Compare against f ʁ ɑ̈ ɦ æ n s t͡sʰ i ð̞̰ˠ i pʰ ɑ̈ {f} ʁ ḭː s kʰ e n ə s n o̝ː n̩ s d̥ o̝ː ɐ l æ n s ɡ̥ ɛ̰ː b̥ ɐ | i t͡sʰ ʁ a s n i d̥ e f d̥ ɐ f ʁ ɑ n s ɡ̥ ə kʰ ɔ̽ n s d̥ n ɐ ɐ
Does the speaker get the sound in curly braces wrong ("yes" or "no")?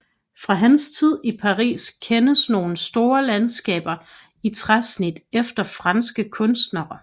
yes